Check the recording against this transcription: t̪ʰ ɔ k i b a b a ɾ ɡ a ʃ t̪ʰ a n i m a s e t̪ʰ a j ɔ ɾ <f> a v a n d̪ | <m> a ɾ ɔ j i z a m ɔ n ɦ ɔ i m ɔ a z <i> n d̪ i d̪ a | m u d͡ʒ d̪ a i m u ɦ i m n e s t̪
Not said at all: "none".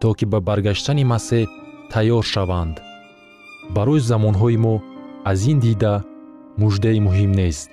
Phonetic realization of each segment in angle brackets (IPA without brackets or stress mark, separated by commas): ʃ, b, i